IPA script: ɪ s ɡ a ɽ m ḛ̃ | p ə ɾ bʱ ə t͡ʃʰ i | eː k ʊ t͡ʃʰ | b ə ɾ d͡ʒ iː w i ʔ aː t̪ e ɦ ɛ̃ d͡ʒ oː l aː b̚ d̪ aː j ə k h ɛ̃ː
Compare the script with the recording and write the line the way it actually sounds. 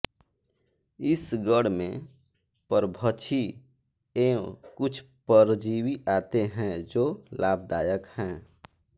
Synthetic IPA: ɪ s ɡ ə ɽ m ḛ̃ | p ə ɾ bʱ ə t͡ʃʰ i | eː k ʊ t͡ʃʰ | p ə ɾ d͡ʒ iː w i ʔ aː t̪ e ɦ ɛ̃ d͡ʒ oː l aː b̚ d̪ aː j ə k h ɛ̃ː